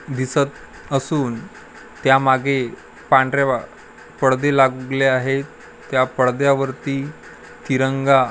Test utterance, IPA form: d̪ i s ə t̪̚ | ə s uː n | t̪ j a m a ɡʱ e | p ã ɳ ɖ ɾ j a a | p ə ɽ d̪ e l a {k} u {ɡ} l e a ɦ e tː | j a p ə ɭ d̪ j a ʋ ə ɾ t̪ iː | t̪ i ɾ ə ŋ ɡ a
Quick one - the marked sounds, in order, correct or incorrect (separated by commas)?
incorrect, correct